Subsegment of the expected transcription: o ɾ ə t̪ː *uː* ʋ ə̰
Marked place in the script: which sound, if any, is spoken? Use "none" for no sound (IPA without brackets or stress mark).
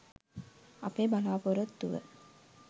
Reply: u